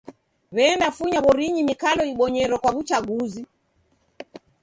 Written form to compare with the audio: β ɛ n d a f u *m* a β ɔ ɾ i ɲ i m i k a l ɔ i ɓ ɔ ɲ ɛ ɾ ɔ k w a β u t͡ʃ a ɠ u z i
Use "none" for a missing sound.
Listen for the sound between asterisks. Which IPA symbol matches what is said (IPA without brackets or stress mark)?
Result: ɲ